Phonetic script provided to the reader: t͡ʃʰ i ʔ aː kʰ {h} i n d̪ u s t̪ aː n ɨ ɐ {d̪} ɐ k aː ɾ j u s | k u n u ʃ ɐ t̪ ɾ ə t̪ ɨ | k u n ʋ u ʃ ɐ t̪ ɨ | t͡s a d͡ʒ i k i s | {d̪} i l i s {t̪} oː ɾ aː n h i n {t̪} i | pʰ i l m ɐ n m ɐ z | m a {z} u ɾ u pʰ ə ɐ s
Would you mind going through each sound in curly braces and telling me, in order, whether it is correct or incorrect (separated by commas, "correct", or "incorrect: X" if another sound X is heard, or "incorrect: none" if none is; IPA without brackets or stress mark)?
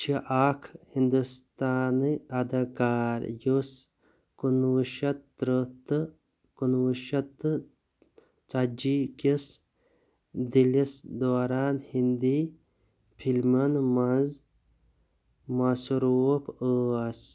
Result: correct, correct, correct, incorrect: d̪, incorrect: d̪, incorrect: s